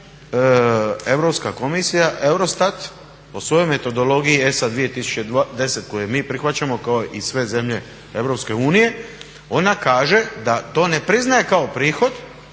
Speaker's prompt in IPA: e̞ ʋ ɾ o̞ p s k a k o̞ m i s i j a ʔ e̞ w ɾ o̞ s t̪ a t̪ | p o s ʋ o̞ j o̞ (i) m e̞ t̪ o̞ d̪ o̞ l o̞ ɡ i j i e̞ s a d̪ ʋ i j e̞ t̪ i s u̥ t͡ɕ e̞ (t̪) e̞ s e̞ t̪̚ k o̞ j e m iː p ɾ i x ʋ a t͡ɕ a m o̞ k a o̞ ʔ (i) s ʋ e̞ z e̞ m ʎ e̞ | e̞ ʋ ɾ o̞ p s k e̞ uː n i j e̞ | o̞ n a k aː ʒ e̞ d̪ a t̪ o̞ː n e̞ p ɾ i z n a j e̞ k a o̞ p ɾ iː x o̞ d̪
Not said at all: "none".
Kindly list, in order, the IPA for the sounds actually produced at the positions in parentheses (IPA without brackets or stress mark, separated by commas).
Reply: j, d̪, i